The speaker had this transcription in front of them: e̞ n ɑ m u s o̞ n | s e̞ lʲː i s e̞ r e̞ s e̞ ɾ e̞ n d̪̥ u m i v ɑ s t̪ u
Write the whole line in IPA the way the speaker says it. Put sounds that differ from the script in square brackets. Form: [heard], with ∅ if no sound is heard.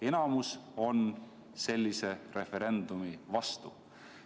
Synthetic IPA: e̞ n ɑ m u s o̞ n | s e̞ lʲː i s e̞ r e̞ [f] e̞ ɾ e̞ n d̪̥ u m i v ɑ s t̪ u